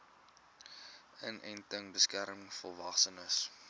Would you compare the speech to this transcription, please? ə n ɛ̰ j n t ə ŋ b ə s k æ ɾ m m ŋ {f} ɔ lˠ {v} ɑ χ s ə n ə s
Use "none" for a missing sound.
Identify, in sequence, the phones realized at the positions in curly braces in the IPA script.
f, v

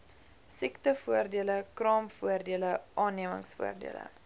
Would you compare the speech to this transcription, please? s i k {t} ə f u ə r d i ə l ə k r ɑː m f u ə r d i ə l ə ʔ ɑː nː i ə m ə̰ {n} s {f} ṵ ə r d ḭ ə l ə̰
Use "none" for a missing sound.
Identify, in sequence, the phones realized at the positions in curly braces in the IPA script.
t, ŋ, f

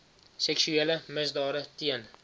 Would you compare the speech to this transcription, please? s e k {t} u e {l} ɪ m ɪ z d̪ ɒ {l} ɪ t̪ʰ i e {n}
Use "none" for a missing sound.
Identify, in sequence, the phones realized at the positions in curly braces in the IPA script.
s, l, ɾ, n

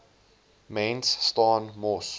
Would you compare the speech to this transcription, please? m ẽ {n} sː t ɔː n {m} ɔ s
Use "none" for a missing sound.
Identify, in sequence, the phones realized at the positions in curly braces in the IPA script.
n, m

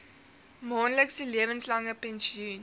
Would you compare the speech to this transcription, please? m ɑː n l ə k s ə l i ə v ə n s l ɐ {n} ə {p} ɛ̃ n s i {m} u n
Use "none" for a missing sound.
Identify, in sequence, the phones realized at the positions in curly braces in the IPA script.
ŋ, p, none

